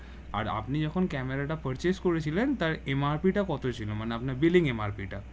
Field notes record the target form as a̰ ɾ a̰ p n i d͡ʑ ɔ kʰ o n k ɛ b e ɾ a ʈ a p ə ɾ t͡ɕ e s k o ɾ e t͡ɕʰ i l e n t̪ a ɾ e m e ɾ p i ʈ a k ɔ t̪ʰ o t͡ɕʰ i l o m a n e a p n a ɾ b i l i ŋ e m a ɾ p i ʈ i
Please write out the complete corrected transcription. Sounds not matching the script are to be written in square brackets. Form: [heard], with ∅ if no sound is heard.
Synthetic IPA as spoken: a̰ ɾ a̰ p n i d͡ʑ ɔ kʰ o n k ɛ [m] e ɾ a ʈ a p ə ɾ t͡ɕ e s k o ɾ e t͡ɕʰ i l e n t̪ a ɾ e m [a] ɾ p i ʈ a k ɔ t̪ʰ o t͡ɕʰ i l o m a n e a p n a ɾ b i l i ŋ e m a ɾ p i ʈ [a]

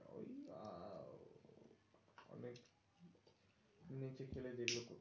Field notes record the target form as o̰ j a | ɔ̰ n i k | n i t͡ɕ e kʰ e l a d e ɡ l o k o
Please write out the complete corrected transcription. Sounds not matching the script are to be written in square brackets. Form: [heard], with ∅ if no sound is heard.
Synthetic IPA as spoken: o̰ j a | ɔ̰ n [e] k | n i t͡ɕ e kʰ e l [e] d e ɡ l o k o

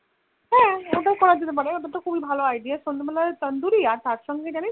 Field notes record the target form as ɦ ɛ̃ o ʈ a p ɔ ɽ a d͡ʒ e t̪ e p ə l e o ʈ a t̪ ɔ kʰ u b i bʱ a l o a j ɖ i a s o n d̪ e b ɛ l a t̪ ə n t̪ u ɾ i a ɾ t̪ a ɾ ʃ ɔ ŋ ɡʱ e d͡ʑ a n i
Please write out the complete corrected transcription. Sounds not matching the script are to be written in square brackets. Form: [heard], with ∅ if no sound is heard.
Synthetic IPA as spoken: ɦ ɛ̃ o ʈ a [k] ɔ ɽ a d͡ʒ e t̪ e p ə [ɽ] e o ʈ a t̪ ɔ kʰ u b i bʱ a l o a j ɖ i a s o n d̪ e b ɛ l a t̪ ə n [d̪] u ɾ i a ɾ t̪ a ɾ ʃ ɔ ŋ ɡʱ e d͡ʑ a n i

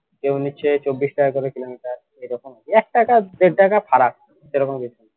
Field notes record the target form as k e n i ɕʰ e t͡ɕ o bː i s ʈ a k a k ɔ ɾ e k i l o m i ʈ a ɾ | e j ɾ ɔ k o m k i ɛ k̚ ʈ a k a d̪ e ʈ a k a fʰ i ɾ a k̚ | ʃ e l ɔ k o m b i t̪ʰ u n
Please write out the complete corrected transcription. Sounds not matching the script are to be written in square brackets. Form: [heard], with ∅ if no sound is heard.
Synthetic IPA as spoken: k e n i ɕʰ e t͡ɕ o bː i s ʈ a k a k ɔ ɾ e k i l o m i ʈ a ɾ | e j ɾ ɔ k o m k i ɛ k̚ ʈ a k a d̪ e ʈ a k a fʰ [a] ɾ a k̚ | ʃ e [ɾ] ɔ k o m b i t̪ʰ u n

